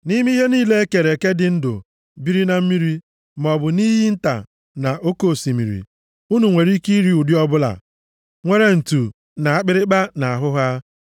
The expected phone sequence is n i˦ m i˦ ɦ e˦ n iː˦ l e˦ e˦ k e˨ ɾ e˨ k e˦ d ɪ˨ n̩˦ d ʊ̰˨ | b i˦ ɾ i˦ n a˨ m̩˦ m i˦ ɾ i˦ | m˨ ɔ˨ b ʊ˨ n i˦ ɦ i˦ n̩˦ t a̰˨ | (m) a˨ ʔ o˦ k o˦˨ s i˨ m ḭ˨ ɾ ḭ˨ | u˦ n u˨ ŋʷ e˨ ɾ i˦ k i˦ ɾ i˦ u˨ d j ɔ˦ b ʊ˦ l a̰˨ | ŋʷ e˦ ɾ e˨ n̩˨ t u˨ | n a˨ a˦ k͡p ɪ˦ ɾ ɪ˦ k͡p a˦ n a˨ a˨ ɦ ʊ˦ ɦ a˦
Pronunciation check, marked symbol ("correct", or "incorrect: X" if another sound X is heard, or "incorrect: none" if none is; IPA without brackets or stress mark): incorrect: n